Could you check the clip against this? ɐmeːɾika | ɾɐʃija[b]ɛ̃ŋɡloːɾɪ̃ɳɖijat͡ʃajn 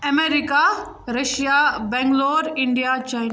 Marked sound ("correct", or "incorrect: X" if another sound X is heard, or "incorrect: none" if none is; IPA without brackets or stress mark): correct